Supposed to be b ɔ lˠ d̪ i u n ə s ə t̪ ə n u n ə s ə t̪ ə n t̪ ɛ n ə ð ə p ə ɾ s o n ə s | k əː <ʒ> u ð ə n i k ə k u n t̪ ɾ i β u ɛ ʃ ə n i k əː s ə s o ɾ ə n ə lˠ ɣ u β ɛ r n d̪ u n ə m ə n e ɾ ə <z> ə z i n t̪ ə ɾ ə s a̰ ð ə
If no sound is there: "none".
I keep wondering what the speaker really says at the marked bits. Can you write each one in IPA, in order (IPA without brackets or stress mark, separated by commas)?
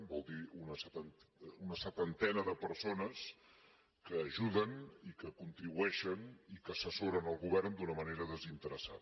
ʒ, ð